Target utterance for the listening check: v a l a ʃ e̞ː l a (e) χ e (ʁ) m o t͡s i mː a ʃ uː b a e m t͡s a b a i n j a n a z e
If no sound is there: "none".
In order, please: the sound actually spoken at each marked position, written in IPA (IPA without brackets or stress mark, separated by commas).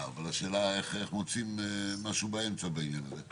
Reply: e, χ